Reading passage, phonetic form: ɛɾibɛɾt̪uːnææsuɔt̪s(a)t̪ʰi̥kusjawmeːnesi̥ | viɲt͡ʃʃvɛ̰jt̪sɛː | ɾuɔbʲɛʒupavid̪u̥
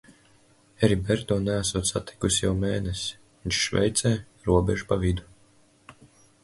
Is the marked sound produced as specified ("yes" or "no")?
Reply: yes